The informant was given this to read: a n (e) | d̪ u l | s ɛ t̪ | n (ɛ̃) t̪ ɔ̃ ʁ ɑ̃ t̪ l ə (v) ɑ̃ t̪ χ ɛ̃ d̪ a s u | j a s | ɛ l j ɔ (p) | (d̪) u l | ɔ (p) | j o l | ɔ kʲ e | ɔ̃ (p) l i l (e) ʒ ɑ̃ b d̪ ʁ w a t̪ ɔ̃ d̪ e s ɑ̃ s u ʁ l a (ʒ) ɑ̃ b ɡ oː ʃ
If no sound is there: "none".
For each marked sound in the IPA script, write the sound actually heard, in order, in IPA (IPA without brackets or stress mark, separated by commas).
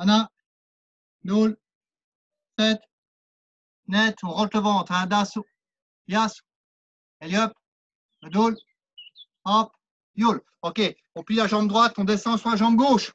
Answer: a, ɛ, v, p, d̪, p, p, a, ʒ